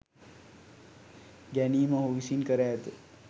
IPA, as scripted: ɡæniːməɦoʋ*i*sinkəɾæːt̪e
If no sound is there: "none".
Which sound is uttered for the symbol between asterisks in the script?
i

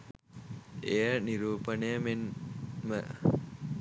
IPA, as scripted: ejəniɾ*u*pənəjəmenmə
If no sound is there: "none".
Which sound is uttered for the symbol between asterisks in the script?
uː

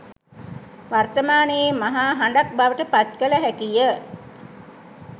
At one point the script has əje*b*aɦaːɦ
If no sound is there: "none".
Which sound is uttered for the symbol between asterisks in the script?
m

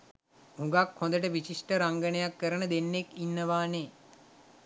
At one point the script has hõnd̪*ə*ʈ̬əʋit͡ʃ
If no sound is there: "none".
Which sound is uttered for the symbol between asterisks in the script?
ə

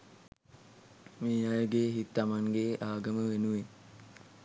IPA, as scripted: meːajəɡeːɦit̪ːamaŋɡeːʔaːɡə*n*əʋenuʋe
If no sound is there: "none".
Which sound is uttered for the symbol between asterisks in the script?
m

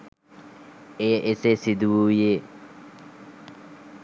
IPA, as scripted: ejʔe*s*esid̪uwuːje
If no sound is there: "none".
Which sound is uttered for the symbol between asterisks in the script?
s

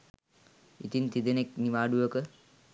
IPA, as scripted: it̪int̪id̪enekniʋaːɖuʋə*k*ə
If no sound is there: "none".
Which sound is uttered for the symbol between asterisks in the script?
k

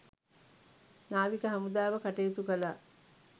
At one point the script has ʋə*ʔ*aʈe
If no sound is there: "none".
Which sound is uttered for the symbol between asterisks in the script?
k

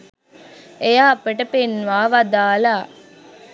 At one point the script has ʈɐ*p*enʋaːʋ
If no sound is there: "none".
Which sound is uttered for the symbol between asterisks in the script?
p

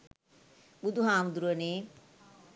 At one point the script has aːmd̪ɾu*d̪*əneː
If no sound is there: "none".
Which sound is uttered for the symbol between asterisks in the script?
none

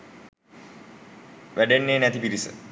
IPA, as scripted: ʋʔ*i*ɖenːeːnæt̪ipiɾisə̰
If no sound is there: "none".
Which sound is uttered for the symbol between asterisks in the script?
æ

